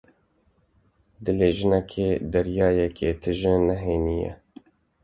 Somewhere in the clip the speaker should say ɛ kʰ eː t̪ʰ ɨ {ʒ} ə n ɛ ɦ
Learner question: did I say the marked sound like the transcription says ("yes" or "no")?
yes